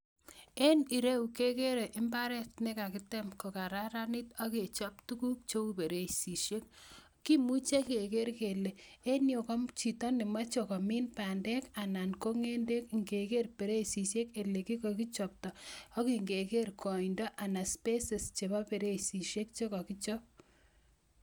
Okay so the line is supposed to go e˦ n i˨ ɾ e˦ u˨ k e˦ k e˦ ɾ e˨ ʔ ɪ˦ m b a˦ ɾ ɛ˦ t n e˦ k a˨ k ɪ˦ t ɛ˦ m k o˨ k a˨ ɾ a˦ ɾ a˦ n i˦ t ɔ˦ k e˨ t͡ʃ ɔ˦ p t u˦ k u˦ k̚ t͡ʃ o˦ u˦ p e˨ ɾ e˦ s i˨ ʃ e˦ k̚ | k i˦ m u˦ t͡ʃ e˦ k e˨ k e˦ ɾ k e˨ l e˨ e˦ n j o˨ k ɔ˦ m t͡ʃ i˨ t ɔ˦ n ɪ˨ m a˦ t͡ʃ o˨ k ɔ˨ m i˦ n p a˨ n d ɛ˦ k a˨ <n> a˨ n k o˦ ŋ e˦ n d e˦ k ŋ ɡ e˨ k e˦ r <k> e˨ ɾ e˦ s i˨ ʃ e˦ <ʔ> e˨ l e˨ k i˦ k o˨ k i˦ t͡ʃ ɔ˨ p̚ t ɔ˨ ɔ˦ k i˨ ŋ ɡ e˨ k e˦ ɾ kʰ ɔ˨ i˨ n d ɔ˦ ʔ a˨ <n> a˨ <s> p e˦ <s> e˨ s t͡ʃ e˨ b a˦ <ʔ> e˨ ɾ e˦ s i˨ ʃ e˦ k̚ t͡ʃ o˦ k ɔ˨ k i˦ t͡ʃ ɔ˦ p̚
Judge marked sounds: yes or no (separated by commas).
yes, no, no, yes, yes, yes, no